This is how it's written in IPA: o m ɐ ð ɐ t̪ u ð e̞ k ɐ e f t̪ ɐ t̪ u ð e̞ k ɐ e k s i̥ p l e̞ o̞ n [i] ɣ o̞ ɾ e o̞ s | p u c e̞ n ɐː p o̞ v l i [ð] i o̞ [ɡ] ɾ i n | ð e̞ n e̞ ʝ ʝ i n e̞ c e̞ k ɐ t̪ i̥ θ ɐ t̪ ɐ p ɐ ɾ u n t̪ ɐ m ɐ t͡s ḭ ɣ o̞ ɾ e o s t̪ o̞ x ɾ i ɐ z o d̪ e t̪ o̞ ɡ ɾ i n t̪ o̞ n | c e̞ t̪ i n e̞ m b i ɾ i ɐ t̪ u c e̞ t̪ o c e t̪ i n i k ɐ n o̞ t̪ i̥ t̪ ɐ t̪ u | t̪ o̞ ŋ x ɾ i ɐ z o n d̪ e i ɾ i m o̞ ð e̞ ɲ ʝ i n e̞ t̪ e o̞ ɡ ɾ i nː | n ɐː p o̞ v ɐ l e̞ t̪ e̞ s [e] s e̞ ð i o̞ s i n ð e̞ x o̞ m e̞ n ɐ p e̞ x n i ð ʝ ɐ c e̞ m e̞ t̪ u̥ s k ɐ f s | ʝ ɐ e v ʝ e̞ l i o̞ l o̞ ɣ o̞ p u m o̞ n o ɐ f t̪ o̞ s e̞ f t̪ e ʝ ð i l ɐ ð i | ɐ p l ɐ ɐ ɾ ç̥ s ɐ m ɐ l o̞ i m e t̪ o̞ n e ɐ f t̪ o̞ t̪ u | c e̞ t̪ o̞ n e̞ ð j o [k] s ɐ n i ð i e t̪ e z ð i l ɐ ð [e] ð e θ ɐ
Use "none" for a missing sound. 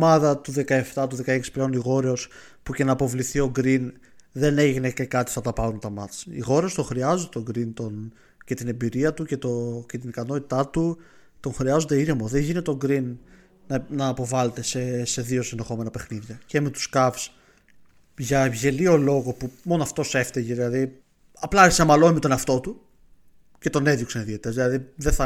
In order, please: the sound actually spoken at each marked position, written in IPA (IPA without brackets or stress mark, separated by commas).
i, θ, ɡ, e, k, i